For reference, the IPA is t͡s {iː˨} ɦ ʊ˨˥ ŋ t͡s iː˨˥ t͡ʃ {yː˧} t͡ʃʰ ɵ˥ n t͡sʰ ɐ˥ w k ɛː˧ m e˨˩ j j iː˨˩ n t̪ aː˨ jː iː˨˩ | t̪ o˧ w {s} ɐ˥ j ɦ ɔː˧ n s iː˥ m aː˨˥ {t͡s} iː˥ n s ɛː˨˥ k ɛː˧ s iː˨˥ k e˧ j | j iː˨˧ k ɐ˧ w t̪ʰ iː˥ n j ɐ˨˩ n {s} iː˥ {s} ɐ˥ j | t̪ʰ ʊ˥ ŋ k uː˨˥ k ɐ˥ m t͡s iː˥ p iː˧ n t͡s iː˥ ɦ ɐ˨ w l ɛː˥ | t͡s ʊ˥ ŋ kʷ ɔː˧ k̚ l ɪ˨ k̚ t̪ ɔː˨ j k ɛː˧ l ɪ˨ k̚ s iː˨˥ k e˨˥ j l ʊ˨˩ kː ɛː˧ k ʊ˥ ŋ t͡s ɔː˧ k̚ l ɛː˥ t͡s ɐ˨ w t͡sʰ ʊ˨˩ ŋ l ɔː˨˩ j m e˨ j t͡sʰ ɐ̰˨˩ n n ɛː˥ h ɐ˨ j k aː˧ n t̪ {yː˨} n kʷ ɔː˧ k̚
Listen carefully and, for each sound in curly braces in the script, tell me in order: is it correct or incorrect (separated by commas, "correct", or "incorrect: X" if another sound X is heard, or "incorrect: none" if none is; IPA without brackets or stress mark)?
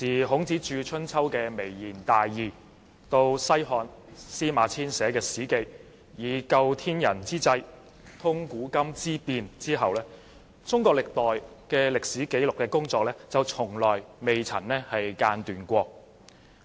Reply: correct, correct, correct, incorrect: t͡sʰ, incorrect: t͡s, incorrect: t͡s, correct